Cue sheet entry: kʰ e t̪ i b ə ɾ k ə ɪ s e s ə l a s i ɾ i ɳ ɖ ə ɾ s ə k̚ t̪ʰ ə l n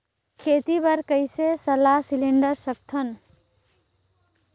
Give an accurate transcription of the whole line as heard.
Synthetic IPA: kʰ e t̪ i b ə ɾ k ə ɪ s e s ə l a s i l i ɳ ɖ ə ɾ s ə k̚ t̪ʰ ə n